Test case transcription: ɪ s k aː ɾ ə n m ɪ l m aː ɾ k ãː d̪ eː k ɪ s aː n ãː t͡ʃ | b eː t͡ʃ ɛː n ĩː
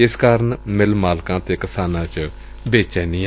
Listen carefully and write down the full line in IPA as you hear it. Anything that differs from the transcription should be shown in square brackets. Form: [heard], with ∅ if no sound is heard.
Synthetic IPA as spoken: ɪ s k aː ɾ ə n m ɪ l m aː [l] k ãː [t̪] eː k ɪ s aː n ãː t͡ʃ | b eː t͡ʃ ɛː n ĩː